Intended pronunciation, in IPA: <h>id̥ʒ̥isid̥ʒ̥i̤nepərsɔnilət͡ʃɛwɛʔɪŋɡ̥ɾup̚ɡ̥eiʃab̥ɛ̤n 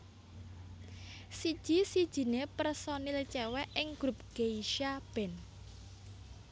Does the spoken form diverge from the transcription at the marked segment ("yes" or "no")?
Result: yes